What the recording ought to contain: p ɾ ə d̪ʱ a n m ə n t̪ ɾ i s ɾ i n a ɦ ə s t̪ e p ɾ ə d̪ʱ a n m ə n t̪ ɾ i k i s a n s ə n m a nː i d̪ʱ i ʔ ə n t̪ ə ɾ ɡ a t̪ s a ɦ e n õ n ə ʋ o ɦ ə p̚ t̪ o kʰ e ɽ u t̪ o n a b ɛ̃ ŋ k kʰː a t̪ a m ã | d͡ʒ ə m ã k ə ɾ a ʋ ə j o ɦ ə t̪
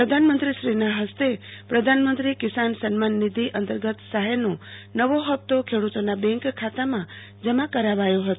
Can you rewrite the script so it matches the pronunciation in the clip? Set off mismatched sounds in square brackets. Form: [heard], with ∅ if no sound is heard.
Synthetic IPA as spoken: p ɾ ə d̪ʱ a n m ə n t̪ ɾ i [ʃ] ɾ i n a ɦ ə s t̪ e p ɾ ə d̪ʱ a n m ə n t̪ ɾ i k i s a n s ə n m a nː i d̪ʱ i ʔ ə n t̪ ə ɾ ɡ [ə] t̪ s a ɦ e n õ n ə ʋ o ɦ ə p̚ t̪ o kʰ e ɽ u t̪ o n a b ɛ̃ ŋ k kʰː a t̪ a m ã | d͡ʒ ə m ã k ə ɾ a ʋ [a] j o ɦ ə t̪